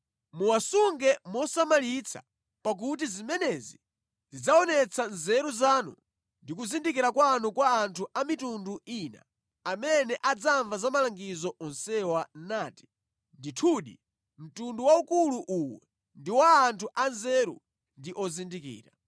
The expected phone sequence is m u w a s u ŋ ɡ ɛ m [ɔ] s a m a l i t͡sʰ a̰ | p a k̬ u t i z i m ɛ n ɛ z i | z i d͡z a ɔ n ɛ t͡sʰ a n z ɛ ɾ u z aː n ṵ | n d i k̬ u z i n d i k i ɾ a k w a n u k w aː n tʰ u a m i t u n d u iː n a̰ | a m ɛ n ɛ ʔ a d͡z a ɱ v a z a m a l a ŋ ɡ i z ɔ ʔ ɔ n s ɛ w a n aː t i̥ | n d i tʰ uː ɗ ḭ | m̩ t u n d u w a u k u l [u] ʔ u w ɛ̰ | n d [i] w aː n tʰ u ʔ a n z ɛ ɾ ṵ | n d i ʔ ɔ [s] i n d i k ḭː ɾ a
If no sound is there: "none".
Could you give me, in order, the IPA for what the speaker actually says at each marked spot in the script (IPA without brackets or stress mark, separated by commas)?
ɔ, u, i, z